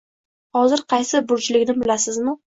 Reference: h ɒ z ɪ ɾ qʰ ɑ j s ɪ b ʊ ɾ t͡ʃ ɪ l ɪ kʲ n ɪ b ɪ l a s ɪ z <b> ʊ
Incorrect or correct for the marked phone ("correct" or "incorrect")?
incorrect